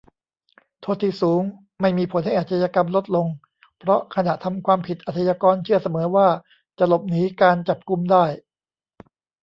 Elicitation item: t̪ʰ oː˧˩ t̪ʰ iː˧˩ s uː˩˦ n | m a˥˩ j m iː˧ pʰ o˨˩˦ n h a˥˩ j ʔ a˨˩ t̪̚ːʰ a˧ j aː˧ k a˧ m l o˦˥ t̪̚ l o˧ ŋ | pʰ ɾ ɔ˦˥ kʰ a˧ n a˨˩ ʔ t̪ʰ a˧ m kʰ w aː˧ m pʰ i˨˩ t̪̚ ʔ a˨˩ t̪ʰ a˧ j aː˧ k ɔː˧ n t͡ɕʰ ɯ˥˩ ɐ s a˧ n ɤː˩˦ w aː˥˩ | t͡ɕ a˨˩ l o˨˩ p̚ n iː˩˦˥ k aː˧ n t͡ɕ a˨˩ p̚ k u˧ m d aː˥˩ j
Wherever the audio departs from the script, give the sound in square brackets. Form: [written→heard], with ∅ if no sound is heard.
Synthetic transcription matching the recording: t̪ʰ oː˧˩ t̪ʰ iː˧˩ s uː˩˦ [n→ŋ] | m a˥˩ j m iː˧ pʰ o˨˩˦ n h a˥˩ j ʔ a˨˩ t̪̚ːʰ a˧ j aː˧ k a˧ m l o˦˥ t̪̚ l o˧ ŋ | pʰ ɾ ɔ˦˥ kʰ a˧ n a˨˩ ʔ t̪ʰ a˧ m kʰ w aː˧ m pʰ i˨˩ t̪̚ ʔ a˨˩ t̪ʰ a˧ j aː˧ k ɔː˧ n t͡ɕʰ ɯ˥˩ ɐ s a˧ [n→m] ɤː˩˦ w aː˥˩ | t͡ɕ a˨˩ l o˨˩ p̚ n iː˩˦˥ k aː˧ n t͡ɕ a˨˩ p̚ k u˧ m d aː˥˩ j